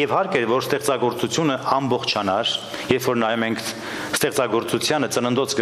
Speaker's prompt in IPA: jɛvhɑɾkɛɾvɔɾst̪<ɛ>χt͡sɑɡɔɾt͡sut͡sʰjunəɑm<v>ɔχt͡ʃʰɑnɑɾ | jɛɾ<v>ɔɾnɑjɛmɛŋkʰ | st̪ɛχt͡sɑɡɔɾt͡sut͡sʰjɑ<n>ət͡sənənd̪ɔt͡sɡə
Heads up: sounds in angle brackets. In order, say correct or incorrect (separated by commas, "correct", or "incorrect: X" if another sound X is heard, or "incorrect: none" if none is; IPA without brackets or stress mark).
correct, incorrect: b, incorrect: f, correct